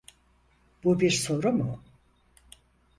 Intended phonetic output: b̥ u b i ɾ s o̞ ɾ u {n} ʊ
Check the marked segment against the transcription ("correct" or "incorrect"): incorrect